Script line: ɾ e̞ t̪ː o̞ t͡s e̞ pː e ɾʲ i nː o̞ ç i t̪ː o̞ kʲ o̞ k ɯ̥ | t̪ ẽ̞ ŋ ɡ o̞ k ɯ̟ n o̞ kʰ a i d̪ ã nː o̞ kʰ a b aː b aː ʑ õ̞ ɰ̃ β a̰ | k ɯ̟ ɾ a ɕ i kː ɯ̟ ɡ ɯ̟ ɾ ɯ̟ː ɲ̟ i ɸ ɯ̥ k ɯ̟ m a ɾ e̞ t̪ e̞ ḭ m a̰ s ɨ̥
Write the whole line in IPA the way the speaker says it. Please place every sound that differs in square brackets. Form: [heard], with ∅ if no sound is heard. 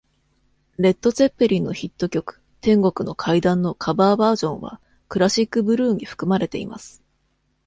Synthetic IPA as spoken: ɾ e̞ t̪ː o̞ t͡s e̞ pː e ɾʲ i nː o̞ ç i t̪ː o̞ kʲ o̞ k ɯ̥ | t̪ ẽ̞ ŋ ɡ o̞ k ɯ̟ n o̞ kʰ a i d̪ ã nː o̞ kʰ a b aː b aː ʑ õ̞ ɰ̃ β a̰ | k ɯ̟ ɾ a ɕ i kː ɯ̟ [b] ɯ̟ ɾ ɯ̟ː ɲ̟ i ɸ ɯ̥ k ɯ̟ m a ɾ e̞ t̪ e̞ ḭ m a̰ s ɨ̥